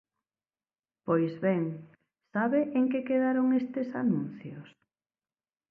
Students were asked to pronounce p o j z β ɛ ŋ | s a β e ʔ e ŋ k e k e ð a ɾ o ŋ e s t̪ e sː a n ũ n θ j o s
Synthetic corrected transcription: p o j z β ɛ ŋ | s a β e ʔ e ŋ k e k e ð a ɾ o ŋ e s t̪ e s a n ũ n θ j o s